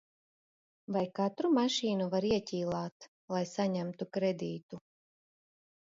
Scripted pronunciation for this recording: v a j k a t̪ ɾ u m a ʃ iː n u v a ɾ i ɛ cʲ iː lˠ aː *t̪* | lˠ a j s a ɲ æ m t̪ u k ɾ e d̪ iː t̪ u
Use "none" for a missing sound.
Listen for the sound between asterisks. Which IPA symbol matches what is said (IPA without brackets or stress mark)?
t̪